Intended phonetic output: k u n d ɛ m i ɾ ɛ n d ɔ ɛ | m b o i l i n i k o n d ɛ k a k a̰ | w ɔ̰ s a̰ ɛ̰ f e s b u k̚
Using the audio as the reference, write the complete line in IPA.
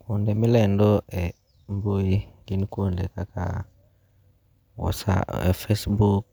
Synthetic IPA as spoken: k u n d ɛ m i l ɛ n d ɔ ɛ | m b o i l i n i k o n d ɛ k a k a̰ | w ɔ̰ s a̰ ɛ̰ f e s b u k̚